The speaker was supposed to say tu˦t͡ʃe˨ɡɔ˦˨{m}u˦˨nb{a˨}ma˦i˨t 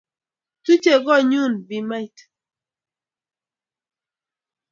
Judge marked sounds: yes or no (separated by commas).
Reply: no, no